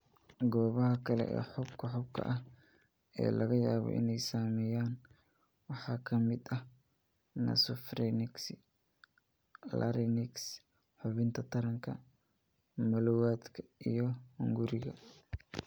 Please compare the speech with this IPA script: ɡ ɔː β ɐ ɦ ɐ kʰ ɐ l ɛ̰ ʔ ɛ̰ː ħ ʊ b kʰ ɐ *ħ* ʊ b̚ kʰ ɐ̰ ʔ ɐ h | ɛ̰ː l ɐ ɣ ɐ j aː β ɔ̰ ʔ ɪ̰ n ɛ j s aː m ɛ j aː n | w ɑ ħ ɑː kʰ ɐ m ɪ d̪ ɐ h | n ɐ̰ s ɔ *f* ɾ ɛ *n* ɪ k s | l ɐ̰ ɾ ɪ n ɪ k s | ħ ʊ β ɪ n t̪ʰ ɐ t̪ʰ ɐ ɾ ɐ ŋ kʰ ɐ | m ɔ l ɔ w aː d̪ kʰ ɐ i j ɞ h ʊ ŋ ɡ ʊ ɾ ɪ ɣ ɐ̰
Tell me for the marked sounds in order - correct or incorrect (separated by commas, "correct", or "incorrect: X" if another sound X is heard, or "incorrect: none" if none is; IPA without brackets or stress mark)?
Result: correct, correct, correct